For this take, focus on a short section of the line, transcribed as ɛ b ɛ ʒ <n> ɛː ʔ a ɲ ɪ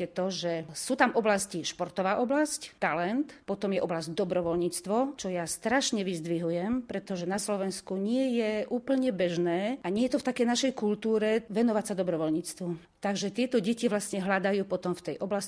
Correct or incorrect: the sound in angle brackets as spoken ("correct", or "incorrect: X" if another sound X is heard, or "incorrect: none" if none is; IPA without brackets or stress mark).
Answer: correct